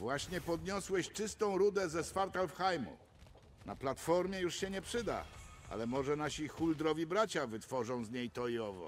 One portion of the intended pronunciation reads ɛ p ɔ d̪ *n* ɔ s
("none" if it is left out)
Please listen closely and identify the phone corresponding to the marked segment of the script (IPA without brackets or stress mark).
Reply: ɲ